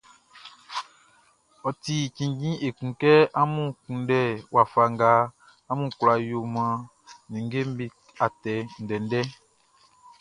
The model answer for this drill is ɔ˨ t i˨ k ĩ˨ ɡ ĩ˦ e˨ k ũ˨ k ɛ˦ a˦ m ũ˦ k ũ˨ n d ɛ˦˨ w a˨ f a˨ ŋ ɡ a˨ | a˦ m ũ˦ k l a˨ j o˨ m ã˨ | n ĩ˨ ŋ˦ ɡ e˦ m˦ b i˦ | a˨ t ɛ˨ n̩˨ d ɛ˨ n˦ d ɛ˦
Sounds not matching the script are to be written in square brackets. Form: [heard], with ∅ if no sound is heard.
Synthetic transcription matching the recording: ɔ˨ t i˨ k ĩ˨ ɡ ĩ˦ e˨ k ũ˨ k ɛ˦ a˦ m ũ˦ k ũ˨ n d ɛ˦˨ w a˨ f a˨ ŋ ɡ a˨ | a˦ m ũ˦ k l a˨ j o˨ m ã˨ | n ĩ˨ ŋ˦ ɡ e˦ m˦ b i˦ | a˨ t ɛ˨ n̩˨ d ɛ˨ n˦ d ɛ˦

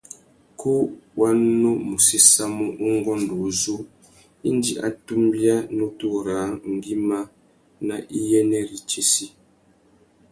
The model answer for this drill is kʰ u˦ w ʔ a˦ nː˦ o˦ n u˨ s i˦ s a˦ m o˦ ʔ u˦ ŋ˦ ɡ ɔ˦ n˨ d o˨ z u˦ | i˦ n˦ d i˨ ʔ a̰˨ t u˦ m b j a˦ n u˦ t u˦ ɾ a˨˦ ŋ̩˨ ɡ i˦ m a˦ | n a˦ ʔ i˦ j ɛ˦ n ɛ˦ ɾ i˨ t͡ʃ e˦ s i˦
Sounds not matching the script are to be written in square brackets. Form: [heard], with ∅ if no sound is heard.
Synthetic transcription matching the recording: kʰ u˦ w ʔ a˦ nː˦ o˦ [m] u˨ s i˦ s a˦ m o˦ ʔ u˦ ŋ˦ ɡ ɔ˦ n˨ d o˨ z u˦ | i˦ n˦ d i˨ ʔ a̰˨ t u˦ m b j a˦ n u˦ t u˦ ɾ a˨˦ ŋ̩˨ ɡ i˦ m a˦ | n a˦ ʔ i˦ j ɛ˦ n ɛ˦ ɾ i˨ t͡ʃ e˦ s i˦

